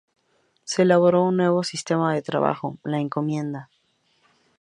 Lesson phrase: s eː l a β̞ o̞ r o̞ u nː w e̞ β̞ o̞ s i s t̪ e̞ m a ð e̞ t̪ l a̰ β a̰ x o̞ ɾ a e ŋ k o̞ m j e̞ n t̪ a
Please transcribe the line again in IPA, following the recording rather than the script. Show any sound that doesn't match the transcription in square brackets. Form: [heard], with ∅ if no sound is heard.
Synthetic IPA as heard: s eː l a β̞ o̞ [ɾ] o̞ u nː w e̞ β̞ o̞ s i s t̪ e̞ m a ð e̞ t̪ [ɾ] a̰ β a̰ x o̞ [l] a e ŋ k o̞ m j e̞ n [d̪] a